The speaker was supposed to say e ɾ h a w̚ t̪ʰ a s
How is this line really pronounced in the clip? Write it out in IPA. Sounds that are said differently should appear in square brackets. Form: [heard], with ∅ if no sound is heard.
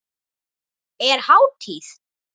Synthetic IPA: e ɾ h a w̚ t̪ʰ [i] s